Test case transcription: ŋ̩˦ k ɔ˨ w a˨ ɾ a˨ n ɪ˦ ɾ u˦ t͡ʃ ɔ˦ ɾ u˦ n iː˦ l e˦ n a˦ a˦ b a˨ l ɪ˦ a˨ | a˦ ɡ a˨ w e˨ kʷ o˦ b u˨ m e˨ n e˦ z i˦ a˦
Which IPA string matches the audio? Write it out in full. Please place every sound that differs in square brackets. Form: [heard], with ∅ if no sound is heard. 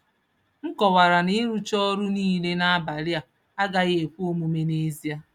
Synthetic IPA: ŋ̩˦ k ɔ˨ w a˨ ɾ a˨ n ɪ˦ ɾ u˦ t͡ʃ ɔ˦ ɾ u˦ n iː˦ l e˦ n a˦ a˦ b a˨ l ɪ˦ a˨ | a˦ ɡ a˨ [ɣ] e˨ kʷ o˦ [m] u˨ m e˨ n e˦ z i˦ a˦